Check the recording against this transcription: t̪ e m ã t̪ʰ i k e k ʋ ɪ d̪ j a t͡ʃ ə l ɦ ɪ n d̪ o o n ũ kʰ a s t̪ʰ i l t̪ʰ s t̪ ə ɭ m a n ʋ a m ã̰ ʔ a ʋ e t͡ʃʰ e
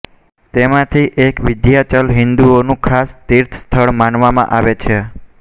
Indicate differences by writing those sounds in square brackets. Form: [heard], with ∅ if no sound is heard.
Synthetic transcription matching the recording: t̪ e m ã t̪ʰ i [ʔ] e k ʋ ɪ d̪ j a t͡ʃ ə l ɦ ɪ n d̪ [u] o n ũ kʰ a s [t̪] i [ɾ] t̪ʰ s [t̪ʰ] ə ɭ m a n ʋ a m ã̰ ʔ a ʋ e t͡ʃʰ e